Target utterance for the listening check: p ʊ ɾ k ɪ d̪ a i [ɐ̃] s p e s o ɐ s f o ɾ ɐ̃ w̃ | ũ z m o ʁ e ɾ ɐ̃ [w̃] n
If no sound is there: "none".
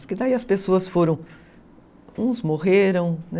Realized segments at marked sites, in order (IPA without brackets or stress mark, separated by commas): ɐ, w̃